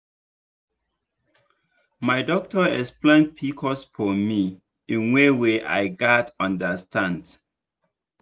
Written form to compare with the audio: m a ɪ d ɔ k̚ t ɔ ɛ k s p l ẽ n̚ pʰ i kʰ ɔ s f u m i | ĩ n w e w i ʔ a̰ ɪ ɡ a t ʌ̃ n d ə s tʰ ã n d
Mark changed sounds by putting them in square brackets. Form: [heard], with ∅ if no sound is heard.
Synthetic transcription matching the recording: m a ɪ d ɔ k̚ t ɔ ɛ k s p l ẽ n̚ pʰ i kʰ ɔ s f [ɔ] m i | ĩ n w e w [e] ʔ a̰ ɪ ɡ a t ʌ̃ n d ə s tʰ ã n d